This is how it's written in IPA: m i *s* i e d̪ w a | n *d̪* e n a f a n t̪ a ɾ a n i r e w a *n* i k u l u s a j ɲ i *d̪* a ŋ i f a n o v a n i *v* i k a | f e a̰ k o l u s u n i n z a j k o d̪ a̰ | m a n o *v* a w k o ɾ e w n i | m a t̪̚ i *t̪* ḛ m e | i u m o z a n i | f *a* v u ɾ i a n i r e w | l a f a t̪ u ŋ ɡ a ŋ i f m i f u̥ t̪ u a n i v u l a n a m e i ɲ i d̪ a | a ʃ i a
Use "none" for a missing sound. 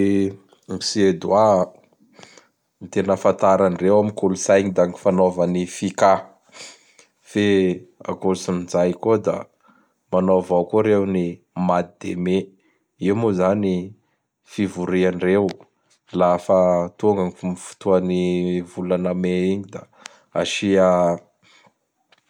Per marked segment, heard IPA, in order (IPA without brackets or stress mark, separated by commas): s, t̪, m, d̪, f, v, d̪, i